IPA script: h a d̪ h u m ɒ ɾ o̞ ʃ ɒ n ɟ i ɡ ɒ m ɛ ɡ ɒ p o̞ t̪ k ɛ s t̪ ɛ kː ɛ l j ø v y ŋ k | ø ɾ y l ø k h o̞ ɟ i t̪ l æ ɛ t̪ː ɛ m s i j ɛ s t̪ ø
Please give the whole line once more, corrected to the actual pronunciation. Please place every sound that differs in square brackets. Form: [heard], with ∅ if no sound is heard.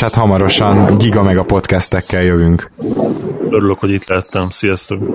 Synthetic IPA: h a [t̪] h [ɒ] m ɒ ɾ o̞ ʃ ɒ n ɟ i ɡ ɒ m ɛ ɡ ɒ p o̞ t̪ k ɛ s t̪ ɛ kː ɛ l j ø v y ŋ k | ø ɾ y l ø k h o̞ ɟ i t̪ l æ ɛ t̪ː ɛ m s i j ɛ s t̪ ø